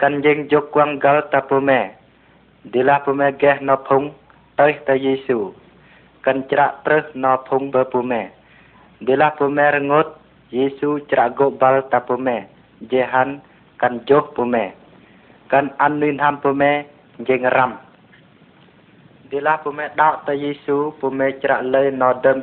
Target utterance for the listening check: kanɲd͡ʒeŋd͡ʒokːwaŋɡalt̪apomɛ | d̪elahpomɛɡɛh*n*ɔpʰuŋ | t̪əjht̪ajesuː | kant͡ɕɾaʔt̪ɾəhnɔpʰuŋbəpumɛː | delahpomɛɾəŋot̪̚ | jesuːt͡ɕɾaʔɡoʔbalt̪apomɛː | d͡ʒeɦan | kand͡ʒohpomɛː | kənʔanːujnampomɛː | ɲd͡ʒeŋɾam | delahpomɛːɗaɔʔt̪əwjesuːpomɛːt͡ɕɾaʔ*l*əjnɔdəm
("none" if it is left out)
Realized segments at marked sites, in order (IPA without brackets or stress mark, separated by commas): n, l